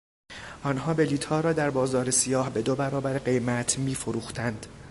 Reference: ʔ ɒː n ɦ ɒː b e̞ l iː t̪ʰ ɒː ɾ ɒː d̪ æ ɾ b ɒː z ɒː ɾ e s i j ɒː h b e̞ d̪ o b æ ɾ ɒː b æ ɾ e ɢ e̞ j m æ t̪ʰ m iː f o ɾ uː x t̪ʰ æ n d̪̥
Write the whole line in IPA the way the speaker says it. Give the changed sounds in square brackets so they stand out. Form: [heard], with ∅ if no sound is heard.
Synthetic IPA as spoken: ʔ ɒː n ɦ ɒː b e̞ l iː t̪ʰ ɒː ɾ ɒː d̪ æ ɾ b ɒː z ɒː ɾ e s i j ɒː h b e̞ d̪ o b æ ɾ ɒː b æ ɾ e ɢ e̞ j m æ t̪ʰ m iː f o ɾ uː x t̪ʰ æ n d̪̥